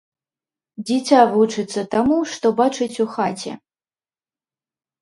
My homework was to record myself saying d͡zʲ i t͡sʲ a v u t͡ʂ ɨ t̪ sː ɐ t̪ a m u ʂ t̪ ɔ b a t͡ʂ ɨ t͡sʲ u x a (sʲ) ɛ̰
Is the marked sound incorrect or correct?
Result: incorrect